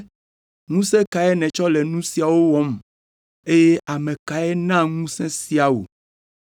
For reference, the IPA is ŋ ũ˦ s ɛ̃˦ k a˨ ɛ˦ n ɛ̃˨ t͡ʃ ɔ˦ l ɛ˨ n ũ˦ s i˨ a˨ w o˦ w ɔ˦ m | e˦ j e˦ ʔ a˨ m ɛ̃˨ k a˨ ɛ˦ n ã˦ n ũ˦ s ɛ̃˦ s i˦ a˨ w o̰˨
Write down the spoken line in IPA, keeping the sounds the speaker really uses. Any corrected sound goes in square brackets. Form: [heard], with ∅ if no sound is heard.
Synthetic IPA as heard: ŋ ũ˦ s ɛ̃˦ k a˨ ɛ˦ n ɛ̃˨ t͡ʃ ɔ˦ l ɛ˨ n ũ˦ s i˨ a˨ w o˦ w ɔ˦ m | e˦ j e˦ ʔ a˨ m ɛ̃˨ k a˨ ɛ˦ n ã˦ [ŋ] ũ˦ s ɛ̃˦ s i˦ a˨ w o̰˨